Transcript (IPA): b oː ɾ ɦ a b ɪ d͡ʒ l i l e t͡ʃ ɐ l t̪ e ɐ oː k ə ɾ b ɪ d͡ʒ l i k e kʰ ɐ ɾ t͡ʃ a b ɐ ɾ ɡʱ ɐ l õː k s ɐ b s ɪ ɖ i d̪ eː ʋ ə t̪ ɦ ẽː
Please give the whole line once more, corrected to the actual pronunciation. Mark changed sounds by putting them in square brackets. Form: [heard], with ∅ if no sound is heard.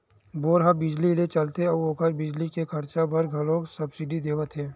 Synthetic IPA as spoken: b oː ɾ ɦ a b ɪ d͡ʒ l i l e t͡ʃ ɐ l t̪ e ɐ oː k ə ɾ b ɪ d͡ʒ l i k e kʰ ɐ ɾ t͡ʃ a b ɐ ɾ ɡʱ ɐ l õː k s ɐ b s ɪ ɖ i d̪ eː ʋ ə t̪ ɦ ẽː